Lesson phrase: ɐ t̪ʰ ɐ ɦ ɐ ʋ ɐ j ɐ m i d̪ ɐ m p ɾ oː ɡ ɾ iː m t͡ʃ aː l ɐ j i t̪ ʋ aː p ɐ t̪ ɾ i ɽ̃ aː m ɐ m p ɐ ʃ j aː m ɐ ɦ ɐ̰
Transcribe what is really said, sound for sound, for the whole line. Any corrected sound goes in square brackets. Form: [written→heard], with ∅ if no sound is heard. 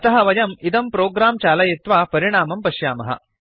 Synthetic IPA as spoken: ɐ [t̪ʰ→t̪] ɐ ɦ ɐ ʋ ɐ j ɐ m i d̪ ɐ m p ɾ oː ɡ ɾ [iː→aː] m t͡ʃ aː l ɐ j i t̪ ʋ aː p ɐ [t̪→∅] ɾ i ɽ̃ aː m ɐ m p ɐ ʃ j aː m ɐ ɦ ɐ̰